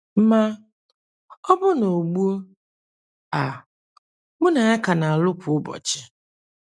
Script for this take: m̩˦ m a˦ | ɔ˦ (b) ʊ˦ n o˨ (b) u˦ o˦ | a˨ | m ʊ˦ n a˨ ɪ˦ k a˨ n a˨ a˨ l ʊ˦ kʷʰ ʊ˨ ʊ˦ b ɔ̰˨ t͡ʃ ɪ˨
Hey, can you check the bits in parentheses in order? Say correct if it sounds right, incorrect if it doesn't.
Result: correct, incorrect: ɡ͡b

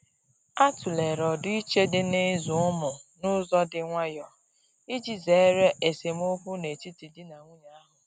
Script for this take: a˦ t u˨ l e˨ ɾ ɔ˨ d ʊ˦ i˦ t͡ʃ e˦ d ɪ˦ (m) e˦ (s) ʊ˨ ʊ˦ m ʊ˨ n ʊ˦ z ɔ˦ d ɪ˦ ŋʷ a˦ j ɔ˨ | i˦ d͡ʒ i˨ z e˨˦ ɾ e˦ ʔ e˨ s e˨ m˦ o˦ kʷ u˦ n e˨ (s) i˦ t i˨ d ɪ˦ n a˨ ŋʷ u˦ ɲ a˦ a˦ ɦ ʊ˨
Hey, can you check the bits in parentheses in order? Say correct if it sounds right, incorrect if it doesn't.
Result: incorrect: n, incorrect: z, incorrect: t

